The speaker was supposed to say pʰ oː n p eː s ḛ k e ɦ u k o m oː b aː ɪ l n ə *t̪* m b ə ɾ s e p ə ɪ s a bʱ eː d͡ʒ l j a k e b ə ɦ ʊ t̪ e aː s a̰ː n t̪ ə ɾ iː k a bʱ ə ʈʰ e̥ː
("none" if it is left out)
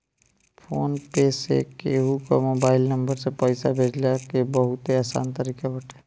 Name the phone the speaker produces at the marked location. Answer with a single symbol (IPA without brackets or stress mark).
none